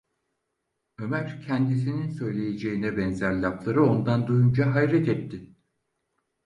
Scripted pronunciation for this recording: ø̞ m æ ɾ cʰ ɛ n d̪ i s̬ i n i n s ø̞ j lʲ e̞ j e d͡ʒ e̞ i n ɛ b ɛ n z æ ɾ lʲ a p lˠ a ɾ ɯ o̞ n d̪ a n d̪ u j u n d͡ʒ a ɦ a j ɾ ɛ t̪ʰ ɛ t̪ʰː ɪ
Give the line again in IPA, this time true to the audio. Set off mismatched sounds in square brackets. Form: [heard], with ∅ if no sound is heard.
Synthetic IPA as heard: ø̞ m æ ɾ cʰ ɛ n d̪ i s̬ i n i n s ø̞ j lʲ e̞ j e d͡ʒ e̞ i n ɛ b ɛ n z æ ɾ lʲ a p lˠ a ɾ ɯ o̞ n d̪ a n d̪ u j u n d͡ʒ a ɦ a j ɾ ɛ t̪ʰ ɛ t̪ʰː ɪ